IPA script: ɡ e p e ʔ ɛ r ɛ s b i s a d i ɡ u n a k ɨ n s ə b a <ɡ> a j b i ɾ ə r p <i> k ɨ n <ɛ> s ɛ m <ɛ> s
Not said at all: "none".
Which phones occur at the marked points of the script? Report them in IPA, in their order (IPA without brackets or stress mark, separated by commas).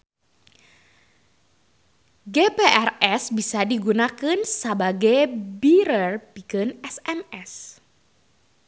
ɡ, i, ɛ, ɛ